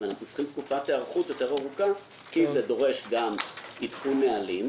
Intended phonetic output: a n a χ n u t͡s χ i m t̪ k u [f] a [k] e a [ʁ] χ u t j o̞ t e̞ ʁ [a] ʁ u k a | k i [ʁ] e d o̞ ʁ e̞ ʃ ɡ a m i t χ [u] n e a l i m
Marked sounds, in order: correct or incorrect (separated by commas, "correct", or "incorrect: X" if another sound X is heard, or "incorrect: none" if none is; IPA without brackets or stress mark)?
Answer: correct, incorrect: t, correct, correct, incorrect: z, correct